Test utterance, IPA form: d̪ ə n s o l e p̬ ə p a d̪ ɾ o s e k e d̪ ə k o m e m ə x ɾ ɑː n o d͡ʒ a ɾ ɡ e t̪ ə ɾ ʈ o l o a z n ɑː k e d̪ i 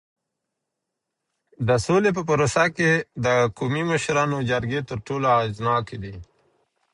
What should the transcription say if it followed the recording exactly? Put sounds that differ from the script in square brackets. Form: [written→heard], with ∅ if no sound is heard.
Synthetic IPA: d̪ ə [n→∅] s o l e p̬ ə p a [d̪→∅] ɾ o s [e→a] k e d̪ ə k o m [e→i] m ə [x→ʃ] ɾ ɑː n o d͡ʒ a ɾ ɡ e t̪ ə ɾ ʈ o l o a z n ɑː k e d̪ i

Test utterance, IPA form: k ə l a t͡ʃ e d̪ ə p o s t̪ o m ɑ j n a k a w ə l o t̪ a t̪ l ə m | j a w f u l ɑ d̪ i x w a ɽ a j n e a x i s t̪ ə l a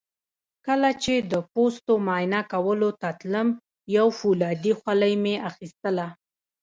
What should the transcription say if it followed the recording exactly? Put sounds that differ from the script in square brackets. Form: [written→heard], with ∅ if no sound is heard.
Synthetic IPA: k ə l a t͡ʃ e d̪ ə p o s t̪ o m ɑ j n a k a w ə l o t̪ a t̪ l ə m | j a w f u l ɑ d̪ i x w a [ɽ→l] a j [n→m] e a x i s t̪ ə l a

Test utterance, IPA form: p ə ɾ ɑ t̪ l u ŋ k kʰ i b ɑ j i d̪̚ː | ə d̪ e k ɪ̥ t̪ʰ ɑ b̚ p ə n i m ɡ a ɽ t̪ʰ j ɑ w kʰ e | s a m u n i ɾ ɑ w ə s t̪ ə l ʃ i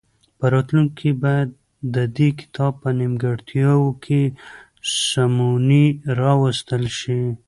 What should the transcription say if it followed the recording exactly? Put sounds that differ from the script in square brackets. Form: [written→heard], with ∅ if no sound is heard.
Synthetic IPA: p ə ɾ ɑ t̪ l u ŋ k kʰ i b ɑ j [i→a] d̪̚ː | ə d̪ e k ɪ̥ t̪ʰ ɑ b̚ p ə n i m ɡ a ɽ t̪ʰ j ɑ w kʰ e | s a m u n i ɾ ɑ w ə s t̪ ə l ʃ i

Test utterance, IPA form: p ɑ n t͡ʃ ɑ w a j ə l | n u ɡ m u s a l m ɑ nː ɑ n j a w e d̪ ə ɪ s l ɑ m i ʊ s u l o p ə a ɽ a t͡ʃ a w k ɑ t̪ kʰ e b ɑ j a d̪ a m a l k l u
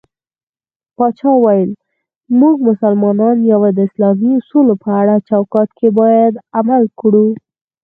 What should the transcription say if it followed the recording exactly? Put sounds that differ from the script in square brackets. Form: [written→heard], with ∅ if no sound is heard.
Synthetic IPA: p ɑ [n→∅] t͡ʃ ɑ w a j ə l | [n→m] u ɡ m [u→ʊ] s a l m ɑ [nː→n] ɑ n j a w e d̪ ə ɪ s l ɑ m i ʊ s u l o p ə a ɽ a t͡ʃ a w k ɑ t̪ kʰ e b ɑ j a d̪ a m a l k [l→ɽ] u

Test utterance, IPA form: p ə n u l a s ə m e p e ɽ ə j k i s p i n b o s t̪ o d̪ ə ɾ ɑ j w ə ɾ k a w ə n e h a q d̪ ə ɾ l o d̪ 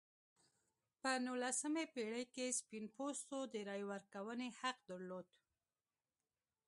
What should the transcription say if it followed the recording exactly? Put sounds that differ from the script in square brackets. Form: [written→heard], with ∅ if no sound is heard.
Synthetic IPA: p ə n u l a s ə m e p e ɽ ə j k [i→e] s p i n [b→p] o s t̪ o d̪ ə ɾ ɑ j w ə ɾ k a w ə n e h a q d̪ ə ɾ l o d̪

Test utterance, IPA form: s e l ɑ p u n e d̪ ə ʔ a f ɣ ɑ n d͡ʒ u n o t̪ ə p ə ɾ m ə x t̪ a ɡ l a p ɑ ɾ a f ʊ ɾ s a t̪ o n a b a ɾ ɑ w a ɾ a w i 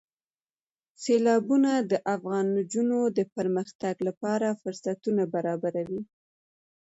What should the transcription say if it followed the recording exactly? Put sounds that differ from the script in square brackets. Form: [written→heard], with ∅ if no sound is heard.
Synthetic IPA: s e l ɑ [p→b] u n [e→a] d̪ ə ʔ a f ɣ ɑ n d͡ʒ u n o [t̪→d̪] ə p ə ɾ m ə x t̪ a ɡ l a p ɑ ɾ a f ʊ ɾ s a t̪ [o→u] n a b a ɾ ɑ [w→b] a ɾ a w i

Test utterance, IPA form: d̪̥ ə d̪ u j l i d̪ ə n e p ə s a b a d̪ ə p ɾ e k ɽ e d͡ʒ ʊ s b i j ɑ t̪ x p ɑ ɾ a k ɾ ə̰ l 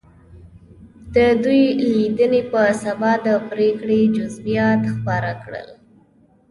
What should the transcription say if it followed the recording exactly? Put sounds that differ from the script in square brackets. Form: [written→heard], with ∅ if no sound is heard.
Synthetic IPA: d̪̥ ə d̪ u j l i d̪ ə n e p ə s a b [a→ɑ] d̪ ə p ɾ e k ɽ e d͡ʒ ʊ [s→z] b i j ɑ t̪ x p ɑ ɾ a k [ɾ→ɽ] ə̰ l

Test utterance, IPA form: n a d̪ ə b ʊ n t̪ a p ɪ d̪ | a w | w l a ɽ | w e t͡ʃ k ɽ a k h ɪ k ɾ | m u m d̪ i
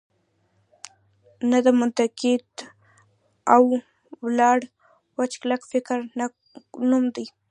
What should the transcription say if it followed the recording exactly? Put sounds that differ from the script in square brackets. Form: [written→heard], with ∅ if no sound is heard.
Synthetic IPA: n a d̪ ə [b→m] ʊ n t̪ a [p→k] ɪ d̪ | a w | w l [a→ɑ] ɽ | w [e→a] t͡ʃ k [ɽ→l] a k [h→f] ɪ k ɾ | [m→n] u m d̪ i

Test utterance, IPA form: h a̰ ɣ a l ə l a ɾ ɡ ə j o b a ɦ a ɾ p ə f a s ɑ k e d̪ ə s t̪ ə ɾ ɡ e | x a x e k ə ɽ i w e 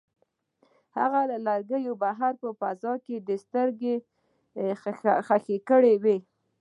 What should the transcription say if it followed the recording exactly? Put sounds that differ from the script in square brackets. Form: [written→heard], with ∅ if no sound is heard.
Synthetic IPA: h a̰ ɣ a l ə l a ɾ ɡ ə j o b a ɦ a ɾ p ə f a [s→z] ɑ k e d̪ ə s t̪ ə ɾ ɡ e | x a x e k ə ɽ [i→e] w e

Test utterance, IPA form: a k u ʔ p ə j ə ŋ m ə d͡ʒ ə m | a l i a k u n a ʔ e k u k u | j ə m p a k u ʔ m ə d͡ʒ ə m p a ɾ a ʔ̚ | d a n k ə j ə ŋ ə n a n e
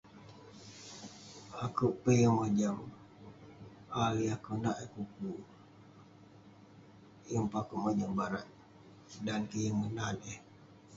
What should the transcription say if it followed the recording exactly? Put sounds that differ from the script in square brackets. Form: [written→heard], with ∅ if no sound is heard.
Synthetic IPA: a k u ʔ p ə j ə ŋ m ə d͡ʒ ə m | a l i a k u n a ʔ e k u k u | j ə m p a k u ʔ m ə d͡ʒ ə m [p→b] a ɾ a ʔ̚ | d a n k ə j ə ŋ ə n a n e

